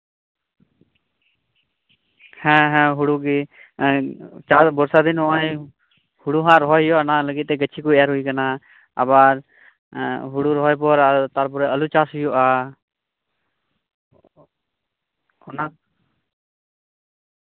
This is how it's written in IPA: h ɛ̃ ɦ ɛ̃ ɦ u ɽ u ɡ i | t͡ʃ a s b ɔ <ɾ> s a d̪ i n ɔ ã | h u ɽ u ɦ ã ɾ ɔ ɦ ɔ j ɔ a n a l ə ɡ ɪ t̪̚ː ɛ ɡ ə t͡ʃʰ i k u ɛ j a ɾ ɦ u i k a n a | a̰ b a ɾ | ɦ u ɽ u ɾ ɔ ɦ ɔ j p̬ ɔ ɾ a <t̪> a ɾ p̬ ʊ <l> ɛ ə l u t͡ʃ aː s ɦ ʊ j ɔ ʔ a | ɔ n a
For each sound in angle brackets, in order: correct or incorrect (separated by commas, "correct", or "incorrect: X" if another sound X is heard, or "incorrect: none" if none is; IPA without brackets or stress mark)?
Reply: correct, correct, incorrect: ɾ